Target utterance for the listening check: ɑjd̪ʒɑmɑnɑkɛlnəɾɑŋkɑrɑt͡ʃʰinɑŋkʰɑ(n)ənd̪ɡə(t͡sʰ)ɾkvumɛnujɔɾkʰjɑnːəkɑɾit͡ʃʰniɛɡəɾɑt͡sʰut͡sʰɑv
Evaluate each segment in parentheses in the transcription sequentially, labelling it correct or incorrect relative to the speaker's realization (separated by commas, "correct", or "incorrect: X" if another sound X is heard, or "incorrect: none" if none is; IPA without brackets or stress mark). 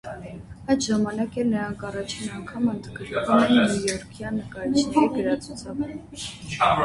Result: incorrect: m, incorrect: none